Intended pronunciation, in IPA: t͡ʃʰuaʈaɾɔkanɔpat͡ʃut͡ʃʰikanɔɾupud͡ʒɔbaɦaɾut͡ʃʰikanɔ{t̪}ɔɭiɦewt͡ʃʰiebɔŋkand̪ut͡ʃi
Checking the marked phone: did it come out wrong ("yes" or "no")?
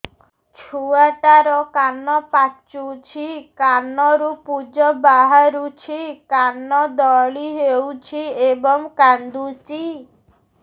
yes